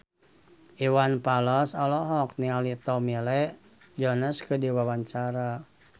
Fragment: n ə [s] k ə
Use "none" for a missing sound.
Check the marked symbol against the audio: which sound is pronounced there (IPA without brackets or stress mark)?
s